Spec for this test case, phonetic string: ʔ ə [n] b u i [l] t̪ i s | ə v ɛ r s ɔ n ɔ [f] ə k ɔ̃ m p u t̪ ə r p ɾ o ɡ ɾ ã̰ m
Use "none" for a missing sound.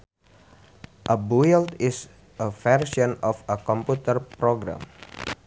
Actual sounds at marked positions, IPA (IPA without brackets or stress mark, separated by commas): none, l, f